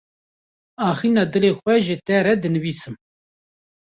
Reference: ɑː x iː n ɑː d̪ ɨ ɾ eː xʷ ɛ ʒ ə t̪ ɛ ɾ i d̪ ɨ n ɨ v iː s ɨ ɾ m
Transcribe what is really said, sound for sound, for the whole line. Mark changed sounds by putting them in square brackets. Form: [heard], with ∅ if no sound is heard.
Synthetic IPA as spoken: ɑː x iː n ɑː d̪ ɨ [l] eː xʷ ɛ ʒ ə t̪ ɛ ɾ [ɛ] d̪ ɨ n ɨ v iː s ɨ [∅] m